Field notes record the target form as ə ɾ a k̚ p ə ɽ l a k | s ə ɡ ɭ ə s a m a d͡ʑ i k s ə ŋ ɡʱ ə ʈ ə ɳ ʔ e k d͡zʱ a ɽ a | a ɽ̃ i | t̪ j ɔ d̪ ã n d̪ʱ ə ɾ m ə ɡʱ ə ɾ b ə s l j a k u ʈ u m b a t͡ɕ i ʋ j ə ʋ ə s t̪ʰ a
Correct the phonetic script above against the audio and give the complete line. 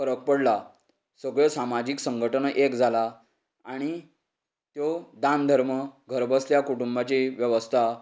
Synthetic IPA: ə ɾ ə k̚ p ə ɽ l a | s ə ɡ ɭ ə s a m a d͡ʑ i k s ə ŋ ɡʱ ə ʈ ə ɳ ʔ e k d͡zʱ a l a | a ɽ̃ i | t̪ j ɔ d̪ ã n d̪ʱ ə ɾ m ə ɡʱ ə ɾ b ə s l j a k u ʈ u m b a t͡ɕ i ʋ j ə ʋ ə s t̪ʰ a

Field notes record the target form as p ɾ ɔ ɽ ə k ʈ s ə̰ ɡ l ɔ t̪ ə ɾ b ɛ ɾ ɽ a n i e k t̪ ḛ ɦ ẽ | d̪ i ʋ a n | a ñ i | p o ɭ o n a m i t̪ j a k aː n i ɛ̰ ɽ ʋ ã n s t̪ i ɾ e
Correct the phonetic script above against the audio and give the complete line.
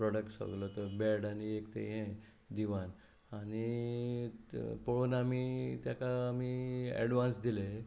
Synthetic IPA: p ɾ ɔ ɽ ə k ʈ s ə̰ ɡ l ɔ t̪ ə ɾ b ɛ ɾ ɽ a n i e k t̪ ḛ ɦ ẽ | d̪ i ʋ a n | a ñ i | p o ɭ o n a m i t̪ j a k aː m i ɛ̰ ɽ ʋ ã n s d̪ i l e

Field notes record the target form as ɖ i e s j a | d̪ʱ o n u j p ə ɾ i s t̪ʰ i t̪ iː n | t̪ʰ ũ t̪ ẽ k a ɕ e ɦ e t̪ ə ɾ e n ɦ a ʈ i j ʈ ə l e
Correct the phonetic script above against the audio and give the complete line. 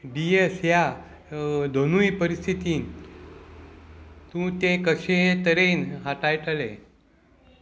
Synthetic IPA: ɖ i e s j a | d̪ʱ o n u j p ə ɾ i s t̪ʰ i t̪ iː n | t̪ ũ t̪ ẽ k ə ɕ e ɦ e t̪ ə ɾ e n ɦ a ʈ a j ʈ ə l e

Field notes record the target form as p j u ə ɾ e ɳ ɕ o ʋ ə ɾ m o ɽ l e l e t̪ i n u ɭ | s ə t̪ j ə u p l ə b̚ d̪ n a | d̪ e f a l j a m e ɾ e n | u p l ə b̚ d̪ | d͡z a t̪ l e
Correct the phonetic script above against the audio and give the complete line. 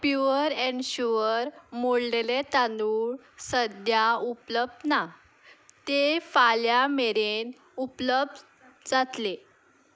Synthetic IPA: p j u ə ɾ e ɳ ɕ u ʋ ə ɾ m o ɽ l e l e t̪ a n u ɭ | s ə d̪ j a u p l ə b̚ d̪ n a | t̪ e f a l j a m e ɾ e n | u p l ə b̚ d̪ | d͡z a t̪ l e

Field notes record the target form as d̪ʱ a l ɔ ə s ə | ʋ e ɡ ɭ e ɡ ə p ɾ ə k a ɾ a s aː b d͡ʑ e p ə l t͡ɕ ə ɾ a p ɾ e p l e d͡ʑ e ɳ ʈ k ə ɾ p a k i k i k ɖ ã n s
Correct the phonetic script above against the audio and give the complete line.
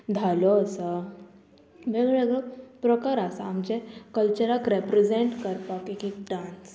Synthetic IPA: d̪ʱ a l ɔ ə s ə | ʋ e ɡ ɭ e ɡ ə p ɾ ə k a ɾ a s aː m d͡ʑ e k ə l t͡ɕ ə ɾ a k ɾ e p ɾ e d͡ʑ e ɳ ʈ k ə ɾ p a k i k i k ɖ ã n s

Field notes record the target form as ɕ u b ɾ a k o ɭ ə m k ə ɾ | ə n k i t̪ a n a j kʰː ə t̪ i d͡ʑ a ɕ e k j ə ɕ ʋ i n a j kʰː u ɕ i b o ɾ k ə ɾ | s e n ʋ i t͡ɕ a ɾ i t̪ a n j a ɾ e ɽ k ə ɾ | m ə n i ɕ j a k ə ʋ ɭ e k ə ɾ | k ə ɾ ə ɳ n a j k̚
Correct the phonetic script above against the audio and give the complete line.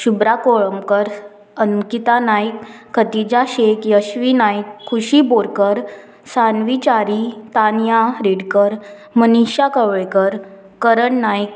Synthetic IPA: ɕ u b ɾ a k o ɭ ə m k ə ɾ | ə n k i t̪ a n a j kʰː ə t̪ i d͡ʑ a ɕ e k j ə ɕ ʋ i n a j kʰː u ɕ i b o ɾ k ə ɾ | s a n ʋ i t͡ɕ a ɾ i t̪ a n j a ɾ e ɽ k ə ɾ | m ə n i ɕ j a k ə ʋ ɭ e k ə ɾ | k ə ɾ ə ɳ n a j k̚

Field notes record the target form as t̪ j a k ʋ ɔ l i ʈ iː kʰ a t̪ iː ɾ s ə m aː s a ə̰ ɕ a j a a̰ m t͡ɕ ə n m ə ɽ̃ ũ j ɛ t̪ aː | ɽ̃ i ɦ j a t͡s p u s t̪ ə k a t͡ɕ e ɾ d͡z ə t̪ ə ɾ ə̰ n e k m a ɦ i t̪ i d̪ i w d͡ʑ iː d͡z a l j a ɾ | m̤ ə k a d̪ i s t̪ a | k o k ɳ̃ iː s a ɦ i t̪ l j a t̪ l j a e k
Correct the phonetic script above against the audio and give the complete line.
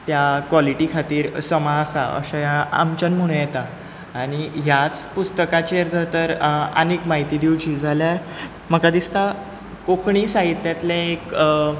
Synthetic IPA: t̪ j a k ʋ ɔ l i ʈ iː kʰ a t̪ iː ɾ s ə m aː s a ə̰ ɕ a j a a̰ m t͡ɕ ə n m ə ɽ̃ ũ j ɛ t̪ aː | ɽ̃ i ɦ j a t͡s p u s t̪ ə k a t͡ɕ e ɾ d͡z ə t̪ ə ɾ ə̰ n e k m a ɦ i t̪ i d̪ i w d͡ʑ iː d͡z a l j a ɾ | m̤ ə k a d̪ i s t̪ a | k o k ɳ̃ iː s a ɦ i t̪ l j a t̪ l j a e k

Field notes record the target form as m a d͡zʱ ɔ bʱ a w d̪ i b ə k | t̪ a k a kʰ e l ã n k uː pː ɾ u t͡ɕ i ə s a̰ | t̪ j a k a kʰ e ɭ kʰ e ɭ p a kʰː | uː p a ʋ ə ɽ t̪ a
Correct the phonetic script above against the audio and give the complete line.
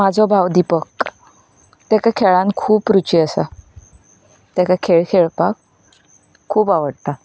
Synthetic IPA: m a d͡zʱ ɔ bʱ a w d̪ i p ə k | t̪ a k a kʰ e ɭ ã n kʰ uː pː ɾ u t͡ɕ i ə s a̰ | t̪ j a k a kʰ e ɭ kʰ e ɭ p a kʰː | uː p a ʋ ə ɽ t̪ a

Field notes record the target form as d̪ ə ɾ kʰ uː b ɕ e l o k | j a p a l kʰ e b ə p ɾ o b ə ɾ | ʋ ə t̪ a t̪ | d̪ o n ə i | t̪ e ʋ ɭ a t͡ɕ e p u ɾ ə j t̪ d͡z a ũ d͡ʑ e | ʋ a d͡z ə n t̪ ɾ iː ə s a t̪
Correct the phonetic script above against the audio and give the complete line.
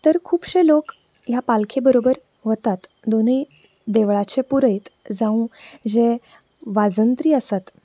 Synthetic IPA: t̪ ə ɾ kʰ uː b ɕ e l o k | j a p a l kʰ e b ə ɾ o b ə ɾ | ʋ ə t̪ a t̪ | d̪ o n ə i | d̪ e ʋ ɭ a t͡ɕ e p u ɾ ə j t̪ d͡z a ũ d͡ʑ e | ʋ a d͡z ə n t̪ ɾ iː ə s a t̪

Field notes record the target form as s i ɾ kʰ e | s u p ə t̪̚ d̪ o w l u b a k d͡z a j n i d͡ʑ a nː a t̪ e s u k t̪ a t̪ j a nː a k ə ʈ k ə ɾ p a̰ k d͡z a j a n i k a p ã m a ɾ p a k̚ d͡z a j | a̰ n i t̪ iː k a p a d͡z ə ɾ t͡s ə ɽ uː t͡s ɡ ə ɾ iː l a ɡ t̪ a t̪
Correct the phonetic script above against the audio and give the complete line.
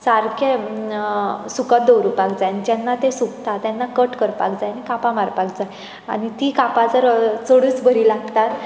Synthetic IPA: s a ɾ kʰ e | s u k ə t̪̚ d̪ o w ɾ u p a k d͡z a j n i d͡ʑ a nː a t̪ e s u k t̪ a t̪ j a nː a k ə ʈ k ə ɾ p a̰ k d͡z a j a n i k a p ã m a ɾ p a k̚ d͡z a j | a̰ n i t̪ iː k a p a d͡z ə ɾ t͡s ə ɽ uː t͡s b ə ɾ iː l a ɡ t̪ a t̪

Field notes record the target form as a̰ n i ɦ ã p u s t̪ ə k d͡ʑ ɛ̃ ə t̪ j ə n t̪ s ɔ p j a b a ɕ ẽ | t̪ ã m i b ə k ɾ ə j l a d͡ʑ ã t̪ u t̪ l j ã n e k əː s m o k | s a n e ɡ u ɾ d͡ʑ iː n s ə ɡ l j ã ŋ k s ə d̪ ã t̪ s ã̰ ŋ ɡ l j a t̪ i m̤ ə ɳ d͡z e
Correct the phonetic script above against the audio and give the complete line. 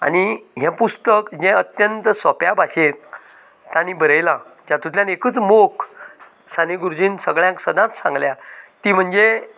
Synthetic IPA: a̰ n i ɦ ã p u s t̪ ə k d͡ʑ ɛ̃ ə t̪ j ə n t̪ s ɔ p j a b a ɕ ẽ | t̪ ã n i b ə ɾ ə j l a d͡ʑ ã t̪ u t̪ l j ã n e k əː t͡s m o k | s a n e ɡ u ɾ d͡ʑ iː n s ə ɡ ɭ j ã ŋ k s ə d̪ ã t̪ s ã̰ ŋ ɡ l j a t̪ i m̤ ə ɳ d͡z e

